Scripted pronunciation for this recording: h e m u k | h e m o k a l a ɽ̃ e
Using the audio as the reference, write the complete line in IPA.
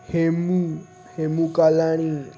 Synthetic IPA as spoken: h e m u | h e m u k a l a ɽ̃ i